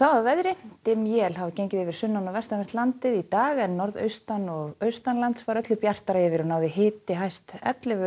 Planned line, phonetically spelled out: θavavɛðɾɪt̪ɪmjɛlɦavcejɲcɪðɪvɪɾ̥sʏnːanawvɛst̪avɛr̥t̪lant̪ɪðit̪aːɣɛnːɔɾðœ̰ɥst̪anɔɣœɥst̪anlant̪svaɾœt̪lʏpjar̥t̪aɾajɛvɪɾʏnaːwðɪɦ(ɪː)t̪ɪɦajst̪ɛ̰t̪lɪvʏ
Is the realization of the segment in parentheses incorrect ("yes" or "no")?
no